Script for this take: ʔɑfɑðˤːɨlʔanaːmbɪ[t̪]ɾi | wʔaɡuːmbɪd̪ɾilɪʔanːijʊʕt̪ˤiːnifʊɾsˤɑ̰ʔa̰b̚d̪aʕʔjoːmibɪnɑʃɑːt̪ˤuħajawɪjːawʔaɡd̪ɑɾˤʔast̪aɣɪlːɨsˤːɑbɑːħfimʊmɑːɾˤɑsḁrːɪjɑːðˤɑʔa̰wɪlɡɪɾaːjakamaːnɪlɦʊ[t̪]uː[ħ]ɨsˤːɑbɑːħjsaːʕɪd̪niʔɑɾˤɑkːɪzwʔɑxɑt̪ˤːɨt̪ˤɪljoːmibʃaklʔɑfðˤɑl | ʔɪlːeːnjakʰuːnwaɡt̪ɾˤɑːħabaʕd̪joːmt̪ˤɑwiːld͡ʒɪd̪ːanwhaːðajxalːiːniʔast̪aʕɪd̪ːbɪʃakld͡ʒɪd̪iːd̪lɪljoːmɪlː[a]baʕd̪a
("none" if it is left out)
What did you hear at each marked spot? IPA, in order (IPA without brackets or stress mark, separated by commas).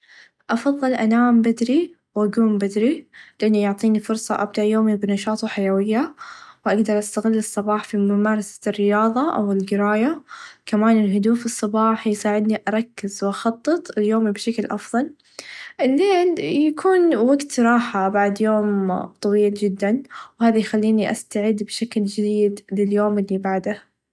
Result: d̪, d̪, f, i